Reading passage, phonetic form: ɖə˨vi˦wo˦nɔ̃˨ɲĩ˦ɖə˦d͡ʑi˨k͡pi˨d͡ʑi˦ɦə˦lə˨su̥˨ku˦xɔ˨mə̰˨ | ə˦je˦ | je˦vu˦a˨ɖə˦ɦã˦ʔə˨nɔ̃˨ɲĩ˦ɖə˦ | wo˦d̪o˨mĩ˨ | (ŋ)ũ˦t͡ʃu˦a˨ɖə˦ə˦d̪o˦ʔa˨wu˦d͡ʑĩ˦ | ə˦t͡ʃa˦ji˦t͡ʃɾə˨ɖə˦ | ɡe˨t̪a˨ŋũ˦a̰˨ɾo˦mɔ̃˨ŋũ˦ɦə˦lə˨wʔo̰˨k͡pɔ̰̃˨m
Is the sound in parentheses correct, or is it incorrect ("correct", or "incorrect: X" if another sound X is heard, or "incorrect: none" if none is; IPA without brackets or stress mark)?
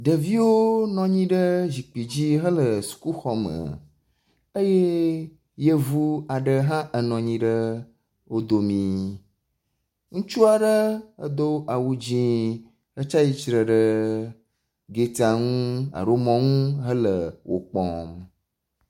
correct